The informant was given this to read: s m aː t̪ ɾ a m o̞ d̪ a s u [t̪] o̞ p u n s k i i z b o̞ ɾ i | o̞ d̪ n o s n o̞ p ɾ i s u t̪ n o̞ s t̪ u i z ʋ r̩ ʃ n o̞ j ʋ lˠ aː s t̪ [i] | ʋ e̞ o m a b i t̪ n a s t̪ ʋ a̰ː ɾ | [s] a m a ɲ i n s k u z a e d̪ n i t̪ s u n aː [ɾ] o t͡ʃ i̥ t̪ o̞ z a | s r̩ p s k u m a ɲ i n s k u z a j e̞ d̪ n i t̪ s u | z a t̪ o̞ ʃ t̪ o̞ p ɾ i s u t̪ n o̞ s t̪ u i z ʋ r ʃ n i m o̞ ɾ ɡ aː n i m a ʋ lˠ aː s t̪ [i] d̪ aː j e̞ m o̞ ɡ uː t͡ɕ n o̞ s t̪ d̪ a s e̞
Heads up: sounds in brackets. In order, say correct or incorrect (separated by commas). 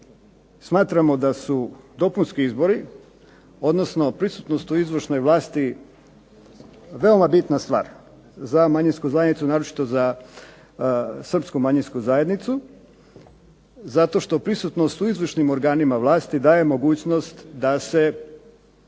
incorrect, correct, incorrect, correct, correct